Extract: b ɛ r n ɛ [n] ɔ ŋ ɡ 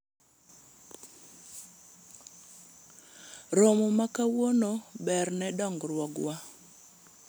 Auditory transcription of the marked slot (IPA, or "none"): d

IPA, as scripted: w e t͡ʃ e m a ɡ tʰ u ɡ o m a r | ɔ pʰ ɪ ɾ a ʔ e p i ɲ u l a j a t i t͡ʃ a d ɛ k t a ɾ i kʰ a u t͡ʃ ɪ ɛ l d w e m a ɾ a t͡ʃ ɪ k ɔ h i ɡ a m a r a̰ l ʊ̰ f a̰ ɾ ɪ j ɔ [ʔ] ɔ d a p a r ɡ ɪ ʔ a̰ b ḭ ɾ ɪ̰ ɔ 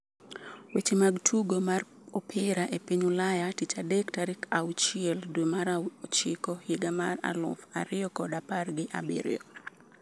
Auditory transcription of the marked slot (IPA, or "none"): k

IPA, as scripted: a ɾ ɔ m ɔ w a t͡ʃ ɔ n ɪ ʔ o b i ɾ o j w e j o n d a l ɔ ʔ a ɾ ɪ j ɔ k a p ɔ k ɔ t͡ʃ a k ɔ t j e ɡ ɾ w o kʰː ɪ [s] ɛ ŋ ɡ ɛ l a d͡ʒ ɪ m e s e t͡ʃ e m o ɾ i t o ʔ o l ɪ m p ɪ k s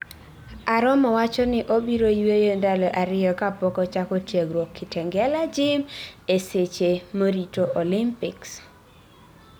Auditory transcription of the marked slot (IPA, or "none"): t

